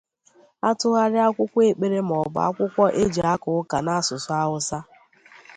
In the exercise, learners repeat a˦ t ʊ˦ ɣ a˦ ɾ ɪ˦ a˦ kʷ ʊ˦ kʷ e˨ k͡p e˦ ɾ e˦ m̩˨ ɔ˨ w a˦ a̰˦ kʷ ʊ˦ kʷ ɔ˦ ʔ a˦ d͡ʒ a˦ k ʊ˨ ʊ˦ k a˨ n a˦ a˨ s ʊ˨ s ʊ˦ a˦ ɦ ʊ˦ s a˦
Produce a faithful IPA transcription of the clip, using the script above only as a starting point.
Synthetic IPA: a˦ t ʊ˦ ɣ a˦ ɾ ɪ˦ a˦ kʷ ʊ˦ kʷ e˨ k͡p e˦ ɾ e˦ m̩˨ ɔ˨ b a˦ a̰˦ kʷ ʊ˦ kʷ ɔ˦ ʔ e˦ d͡ʒ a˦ k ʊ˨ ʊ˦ k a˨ n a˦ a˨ s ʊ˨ s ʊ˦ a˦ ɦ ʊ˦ s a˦